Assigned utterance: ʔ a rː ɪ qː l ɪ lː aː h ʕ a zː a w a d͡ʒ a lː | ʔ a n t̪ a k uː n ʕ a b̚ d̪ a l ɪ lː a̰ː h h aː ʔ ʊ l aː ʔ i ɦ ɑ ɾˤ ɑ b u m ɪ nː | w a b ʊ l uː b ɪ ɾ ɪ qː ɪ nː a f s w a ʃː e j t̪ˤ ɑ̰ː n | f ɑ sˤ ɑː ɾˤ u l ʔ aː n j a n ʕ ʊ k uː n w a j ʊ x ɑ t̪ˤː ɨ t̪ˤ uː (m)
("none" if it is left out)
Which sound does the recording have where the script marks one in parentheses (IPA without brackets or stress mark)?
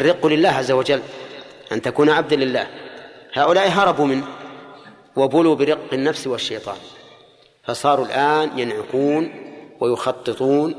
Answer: n